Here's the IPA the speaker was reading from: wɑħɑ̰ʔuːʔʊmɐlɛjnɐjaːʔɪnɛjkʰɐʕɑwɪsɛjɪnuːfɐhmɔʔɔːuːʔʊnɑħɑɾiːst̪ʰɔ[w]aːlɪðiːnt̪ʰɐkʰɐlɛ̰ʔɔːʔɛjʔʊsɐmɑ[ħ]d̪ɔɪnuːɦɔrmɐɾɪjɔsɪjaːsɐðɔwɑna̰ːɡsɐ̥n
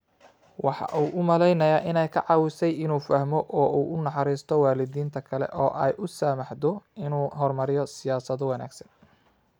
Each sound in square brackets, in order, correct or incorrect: correct, correct

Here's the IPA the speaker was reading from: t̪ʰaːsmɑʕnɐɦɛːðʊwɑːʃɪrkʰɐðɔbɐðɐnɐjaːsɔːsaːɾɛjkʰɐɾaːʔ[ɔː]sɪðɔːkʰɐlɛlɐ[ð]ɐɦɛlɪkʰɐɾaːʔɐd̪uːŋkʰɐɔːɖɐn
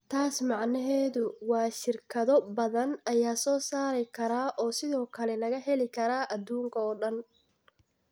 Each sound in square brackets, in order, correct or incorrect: correct, incorrect

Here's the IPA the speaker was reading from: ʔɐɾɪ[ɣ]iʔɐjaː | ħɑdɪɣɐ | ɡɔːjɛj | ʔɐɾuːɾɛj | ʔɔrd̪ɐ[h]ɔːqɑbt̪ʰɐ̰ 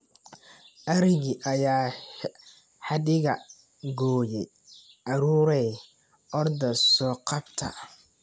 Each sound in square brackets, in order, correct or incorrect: correct, incorrect

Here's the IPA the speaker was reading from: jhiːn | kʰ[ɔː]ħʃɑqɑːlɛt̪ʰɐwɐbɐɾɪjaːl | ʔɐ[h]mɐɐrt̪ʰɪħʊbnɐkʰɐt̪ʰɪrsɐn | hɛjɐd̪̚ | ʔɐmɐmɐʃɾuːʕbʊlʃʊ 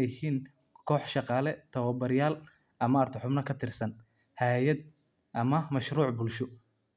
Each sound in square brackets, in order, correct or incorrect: correct, incorrect

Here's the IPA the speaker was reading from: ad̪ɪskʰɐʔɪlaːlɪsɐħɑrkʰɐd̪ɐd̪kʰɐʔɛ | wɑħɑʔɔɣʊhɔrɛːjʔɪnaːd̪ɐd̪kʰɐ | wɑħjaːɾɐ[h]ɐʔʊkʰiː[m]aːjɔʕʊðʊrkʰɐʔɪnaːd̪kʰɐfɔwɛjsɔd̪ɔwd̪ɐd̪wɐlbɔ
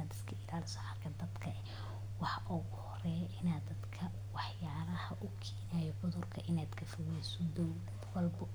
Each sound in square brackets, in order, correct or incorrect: correct, incorrect

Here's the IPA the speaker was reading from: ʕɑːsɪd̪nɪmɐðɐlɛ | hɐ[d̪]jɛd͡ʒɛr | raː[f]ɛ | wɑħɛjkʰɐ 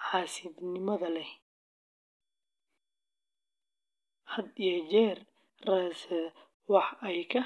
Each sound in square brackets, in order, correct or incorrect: correct, incorrect

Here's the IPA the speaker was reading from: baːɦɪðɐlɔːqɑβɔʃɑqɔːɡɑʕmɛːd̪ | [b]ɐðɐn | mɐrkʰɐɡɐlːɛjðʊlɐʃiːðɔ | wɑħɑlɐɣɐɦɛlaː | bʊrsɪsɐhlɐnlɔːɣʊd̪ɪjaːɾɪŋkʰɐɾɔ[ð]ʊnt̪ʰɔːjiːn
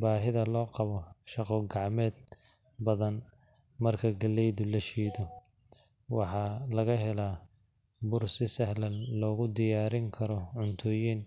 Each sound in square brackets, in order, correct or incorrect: correct, incorrect

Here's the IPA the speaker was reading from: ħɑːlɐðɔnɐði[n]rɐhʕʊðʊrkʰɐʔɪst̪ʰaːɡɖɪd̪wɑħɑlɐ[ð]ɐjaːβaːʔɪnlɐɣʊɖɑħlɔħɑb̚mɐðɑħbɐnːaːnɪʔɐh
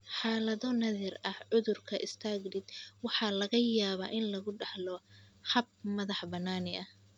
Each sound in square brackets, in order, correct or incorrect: incorrect, incorrect

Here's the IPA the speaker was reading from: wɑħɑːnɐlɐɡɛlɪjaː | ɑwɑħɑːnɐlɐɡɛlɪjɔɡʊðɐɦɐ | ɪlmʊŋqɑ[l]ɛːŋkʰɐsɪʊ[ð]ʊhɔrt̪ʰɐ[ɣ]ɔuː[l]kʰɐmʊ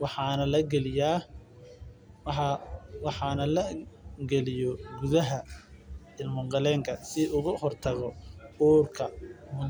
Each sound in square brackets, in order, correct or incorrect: correct, incorrect, correct, incorrect

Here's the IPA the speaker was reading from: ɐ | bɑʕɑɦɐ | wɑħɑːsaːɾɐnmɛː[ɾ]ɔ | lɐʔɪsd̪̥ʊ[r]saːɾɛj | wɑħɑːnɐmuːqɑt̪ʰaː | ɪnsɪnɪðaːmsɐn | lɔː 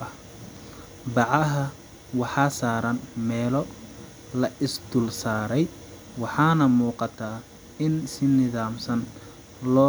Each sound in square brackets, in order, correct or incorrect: incorrect, incorrect

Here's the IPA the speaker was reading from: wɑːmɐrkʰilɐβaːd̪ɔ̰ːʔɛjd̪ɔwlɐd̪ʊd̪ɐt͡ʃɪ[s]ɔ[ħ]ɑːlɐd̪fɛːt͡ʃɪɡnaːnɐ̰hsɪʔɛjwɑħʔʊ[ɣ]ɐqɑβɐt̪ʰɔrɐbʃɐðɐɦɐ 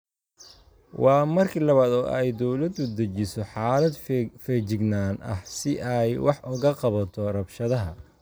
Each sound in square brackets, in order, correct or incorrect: correct, correct, correct

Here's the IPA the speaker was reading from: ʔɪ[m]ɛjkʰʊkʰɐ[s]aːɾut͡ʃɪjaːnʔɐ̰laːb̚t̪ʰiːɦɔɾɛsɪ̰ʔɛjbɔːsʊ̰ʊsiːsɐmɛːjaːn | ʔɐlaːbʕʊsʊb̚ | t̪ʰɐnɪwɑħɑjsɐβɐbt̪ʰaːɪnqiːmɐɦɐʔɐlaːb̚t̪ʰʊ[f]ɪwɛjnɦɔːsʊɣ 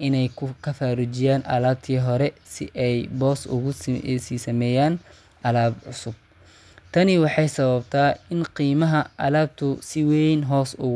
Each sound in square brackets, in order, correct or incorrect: incorrect, incorrect, incorrect

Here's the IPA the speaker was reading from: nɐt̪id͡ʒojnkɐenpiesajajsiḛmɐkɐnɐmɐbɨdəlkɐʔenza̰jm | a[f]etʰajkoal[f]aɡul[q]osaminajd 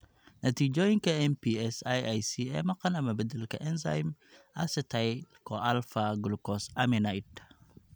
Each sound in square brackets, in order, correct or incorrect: incorrect, correct, incorrect

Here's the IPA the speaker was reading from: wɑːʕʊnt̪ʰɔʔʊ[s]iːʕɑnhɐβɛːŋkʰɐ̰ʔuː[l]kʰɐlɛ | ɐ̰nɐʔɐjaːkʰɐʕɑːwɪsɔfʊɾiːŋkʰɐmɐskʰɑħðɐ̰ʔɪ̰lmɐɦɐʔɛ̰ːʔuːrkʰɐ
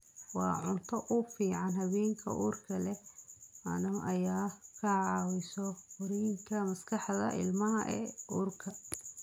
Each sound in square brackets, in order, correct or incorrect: incorrect, incorrect

